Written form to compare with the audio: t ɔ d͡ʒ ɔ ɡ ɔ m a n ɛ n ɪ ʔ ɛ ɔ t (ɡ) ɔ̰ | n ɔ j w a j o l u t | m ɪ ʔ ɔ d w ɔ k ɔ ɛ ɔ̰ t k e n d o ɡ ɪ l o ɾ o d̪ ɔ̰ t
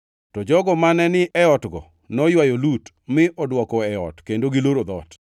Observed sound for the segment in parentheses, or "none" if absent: ɡ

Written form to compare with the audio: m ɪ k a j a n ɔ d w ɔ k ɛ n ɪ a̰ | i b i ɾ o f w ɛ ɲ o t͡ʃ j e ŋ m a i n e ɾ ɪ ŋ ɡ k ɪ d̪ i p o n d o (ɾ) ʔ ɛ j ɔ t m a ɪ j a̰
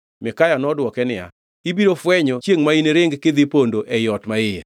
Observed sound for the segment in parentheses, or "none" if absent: none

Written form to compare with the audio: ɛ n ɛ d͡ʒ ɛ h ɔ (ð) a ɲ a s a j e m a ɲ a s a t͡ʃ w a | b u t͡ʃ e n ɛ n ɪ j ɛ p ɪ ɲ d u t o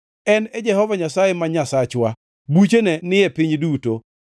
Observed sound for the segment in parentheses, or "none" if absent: v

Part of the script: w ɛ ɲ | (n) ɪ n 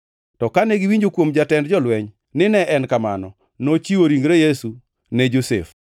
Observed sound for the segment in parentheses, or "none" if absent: n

